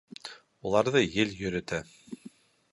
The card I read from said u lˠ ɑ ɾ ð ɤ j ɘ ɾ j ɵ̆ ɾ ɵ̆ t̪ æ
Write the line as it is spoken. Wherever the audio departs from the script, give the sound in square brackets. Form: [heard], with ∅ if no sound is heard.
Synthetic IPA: u lˠ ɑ ɾ ð ɤ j ɘ [l] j ɵ̆ ɾ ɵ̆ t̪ æ